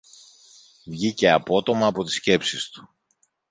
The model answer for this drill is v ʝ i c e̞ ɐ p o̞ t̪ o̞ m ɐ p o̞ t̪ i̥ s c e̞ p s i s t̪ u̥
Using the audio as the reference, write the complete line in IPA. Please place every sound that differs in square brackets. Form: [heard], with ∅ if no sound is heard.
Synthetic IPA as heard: v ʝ i c e̞ ɐ p o̞ t̪ o̞ m [ɐː] p o̞ t̪ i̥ s c e̞ p s i s t̪ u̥